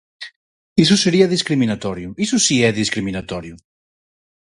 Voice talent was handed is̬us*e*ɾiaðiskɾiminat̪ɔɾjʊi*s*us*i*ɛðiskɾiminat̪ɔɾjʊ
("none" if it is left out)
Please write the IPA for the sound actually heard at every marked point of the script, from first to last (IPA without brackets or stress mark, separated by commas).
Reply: e, s, i